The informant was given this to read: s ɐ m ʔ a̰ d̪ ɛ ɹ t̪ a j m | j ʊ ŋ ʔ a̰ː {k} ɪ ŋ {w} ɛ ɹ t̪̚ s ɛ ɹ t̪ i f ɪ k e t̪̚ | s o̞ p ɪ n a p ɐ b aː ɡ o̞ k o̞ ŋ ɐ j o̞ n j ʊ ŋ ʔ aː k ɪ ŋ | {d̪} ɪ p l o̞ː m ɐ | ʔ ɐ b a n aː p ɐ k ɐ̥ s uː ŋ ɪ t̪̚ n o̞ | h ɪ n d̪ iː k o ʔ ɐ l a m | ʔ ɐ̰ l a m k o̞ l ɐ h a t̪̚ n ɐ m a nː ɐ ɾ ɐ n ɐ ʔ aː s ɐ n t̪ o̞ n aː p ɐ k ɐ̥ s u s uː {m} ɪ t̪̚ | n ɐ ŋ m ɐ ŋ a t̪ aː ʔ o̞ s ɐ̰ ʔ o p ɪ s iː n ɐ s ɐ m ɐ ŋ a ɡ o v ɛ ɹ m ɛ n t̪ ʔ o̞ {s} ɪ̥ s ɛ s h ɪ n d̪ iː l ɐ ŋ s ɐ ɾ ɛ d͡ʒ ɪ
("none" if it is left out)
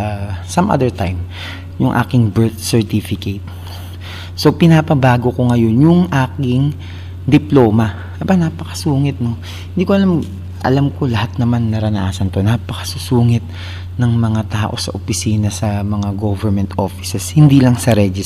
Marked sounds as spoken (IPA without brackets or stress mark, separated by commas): k, b, d̪, ŋ, f